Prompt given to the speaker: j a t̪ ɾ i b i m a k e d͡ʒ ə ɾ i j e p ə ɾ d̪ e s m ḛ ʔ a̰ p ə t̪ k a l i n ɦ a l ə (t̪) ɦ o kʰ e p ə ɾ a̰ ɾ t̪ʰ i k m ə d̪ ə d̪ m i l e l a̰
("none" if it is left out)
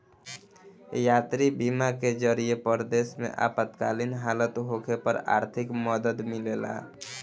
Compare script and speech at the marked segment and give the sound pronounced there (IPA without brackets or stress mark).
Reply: t̪